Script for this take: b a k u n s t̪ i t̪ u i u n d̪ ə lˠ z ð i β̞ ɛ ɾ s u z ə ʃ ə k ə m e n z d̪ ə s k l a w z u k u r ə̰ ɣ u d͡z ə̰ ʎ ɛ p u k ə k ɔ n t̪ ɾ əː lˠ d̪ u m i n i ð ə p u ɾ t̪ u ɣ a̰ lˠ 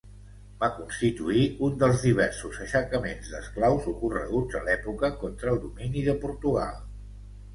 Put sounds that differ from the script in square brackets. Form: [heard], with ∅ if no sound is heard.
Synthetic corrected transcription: b a k u n s t̪ i t̪ u i u n d̪ ə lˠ z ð i β̞ ɛ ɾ s u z ə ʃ ə k ə m e n z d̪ ə s k l a w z u k u r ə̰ ɣ u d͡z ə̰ [l] ɛ p u k ə k ɔ n t̪ ɾ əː lˠ d̪ u m i n i ð ə p u ɾ t̪ u ɣ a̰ lˠ